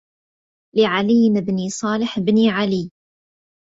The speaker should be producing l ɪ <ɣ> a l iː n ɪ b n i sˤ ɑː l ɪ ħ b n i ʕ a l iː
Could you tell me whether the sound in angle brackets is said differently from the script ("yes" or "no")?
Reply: yes